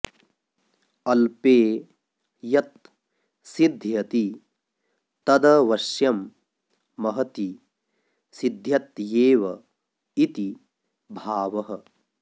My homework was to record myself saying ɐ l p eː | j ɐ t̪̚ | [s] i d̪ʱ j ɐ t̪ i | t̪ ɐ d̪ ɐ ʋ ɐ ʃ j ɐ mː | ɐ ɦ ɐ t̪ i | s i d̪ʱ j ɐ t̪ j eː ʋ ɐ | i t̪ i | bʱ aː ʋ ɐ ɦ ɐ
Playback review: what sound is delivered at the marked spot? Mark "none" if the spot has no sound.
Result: s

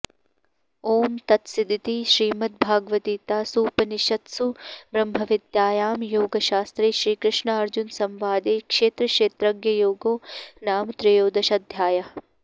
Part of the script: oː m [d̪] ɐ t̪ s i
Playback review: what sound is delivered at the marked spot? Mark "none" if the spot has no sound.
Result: t̪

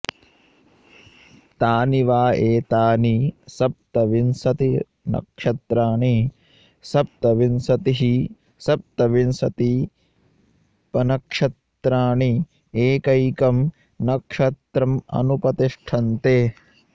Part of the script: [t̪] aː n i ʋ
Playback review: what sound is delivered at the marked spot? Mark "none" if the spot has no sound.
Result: t̪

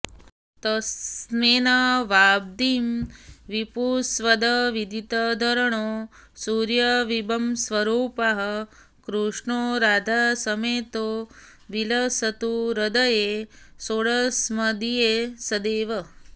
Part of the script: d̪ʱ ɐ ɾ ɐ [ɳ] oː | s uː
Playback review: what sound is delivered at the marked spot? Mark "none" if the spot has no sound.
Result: ɳ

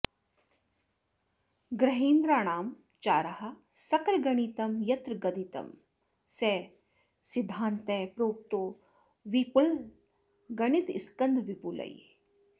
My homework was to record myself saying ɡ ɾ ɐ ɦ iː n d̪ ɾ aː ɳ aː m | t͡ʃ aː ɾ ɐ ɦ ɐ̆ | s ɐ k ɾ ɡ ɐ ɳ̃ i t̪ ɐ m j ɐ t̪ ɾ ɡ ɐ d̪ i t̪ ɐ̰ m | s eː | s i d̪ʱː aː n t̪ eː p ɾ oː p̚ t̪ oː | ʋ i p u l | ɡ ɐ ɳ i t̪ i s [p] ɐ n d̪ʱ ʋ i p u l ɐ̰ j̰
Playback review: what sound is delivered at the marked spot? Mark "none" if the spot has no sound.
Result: k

